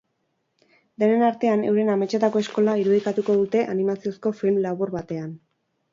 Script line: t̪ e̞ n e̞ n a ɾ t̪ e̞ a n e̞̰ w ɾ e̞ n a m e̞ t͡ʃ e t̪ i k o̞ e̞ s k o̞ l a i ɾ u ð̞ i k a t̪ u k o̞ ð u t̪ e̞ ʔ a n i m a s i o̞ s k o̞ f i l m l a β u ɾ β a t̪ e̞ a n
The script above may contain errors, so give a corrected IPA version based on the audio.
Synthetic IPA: d̪ e̞ n e̞ n a ɾ t̪ e̞ a n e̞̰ w ɾ e̞ n a m e̞ t͡ʃ e t̪ a k o̞ e̞ s k o̞ l a i ɾ u ð̞ i k a t̪ u k o̞ ð u t̪ e̞ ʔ a n i m a s i o̞ s k o̞ f i l m l a β u ɾ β a t̪ e̞ a n